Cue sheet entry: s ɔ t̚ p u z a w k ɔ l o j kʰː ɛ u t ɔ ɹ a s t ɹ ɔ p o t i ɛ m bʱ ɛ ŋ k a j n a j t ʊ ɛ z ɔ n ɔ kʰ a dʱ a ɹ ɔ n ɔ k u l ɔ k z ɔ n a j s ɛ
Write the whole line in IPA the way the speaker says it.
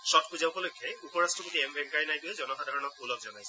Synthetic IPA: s ɔ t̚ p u z a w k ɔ l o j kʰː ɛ u p ɔ ɹ a s t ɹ ɔ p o t i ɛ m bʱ ɛ ŋ k a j n a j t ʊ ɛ z ɔ n ɔ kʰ a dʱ a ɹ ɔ n ɔ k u l ɔ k z ɔ n a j s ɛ